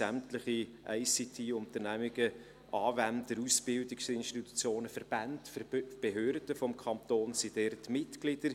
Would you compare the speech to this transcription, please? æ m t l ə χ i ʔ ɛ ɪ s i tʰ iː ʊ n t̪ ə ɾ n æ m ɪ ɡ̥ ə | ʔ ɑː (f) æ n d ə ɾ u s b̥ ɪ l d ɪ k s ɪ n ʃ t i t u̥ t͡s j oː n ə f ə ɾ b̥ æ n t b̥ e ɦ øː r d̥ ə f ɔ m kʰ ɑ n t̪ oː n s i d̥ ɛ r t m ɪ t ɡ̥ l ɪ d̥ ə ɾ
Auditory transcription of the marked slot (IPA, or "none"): v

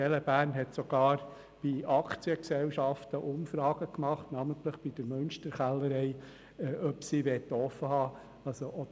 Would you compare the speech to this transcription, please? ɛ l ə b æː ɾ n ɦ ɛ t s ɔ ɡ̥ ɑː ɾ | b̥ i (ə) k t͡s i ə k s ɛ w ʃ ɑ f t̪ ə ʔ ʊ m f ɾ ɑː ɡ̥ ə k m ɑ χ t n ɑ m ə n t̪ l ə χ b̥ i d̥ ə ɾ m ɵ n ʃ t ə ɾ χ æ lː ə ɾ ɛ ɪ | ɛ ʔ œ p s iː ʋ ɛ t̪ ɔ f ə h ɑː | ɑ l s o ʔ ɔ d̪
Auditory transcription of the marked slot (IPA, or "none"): ɑ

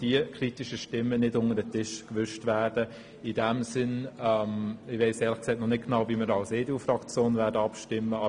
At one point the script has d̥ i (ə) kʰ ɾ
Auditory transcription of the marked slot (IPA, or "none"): ə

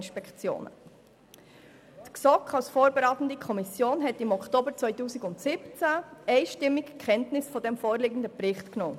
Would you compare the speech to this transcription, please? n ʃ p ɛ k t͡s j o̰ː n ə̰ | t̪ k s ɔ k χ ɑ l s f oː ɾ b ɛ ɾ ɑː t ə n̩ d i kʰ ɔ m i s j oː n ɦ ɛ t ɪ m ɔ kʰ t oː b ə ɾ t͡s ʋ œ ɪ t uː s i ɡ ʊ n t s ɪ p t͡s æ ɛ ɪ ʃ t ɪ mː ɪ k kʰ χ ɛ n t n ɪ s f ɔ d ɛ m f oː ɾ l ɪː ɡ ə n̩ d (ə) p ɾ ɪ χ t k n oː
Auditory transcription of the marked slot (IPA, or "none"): ə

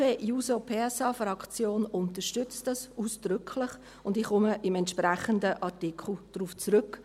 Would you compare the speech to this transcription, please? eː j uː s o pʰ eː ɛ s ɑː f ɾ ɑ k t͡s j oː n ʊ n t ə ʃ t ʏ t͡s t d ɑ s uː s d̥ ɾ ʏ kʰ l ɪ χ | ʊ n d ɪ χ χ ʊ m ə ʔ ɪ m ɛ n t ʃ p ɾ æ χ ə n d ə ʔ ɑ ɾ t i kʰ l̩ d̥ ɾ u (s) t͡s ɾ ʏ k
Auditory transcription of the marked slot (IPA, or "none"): f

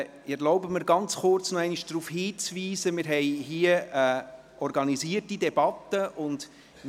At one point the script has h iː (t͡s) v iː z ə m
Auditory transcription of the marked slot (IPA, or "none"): t͡s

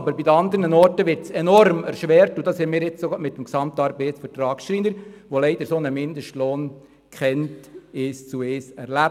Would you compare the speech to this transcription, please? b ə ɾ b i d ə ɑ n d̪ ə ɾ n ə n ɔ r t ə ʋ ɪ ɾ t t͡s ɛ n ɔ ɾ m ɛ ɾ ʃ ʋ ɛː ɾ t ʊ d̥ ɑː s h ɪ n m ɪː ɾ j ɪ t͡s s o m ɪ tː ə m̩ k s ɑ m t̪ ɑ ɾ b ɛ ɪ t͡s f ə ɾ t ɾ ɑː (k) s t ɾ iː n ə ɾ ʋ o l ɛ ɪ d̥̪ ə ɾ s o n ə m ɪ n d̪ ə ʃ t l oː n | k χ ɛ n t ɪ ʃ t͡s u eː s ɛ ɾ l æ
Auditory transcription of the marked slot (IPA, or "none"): k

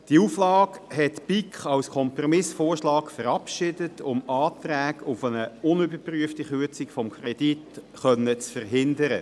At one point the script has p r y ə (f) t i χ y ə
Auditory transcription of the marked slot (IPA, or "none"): f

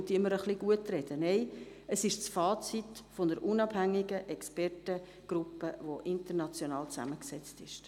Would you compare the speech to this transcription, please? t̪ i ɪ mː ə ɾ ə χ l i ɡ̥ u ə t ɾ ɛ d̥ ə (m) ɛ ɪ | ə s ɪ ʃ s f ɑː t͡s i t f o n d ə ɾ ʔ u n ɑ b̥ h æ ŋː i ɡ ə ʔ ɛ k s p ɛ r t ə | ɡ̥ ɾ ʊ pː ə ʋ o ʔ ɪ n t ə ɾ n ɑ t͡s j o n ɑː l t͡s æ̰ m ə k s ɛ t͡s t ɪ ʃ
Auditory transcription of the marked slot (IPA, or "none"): n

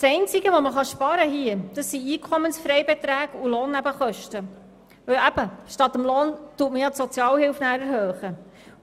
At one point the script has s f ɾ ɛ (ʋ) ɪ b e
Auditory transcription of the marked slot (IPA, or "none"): none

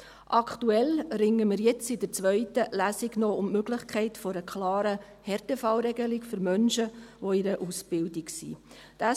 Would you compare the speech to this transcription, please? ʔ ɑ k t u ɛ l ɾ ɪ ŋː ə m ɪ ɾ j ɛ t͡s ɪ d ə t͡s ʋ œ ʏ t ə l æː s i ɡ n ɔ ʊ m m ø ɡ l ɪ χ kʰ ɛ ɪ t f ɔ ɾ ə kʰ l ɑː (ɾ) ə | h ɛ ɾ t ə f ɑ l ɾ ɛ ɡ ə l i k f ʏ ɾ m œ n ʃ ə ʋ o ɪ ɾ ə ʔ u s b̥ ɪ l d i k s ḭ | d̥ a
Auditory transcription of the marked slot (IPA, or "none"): ɾ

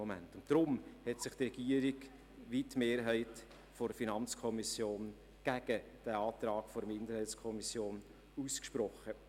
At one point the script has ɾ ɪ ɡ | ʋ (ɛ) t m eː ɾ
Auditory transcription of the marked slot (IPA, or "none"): i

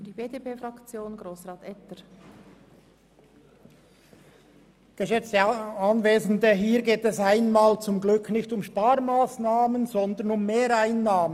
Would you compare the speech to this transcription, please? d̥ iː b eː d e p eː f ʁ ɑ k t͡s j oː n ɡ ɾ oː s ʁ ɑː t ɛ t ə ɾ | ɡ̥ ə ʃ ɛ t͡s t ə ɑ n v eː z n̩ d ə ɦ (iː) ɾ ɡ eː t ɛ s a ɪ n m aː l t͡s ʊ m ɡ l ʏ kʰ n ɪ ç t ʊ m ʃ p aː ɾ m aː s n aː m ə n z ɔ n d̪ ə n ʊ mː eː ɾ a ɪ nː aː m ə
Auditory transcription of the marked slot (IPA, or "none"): iː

